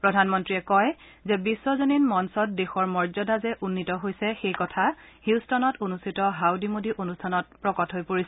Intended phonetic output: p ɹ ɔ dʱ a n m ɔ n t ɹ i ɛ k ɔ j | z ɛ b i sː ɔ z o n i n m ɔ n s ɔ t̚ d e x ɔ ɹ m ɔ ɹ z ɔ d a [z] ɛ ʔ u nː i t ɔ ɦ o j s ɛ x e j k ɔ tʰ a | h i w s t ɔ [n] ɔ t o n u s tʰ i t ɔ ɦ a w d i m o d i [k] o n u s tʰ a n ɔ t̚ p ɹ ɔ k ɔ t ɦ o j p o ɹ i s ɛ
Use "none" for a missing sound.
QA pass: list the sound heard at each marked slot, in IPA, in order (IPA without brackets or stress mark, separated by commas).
z, n, ʔ